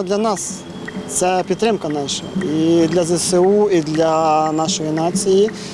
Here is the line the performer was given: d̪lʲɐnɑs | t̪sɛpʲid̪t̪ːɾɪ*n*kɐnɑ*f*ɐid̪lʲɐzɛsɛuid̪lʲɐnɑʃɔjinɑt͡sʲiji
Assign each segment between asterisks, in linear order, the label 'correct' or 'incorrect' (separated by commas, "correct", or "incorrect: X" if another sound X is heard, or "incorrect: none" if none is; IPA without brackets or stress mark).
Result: incorrect: m, incorrect: ʃ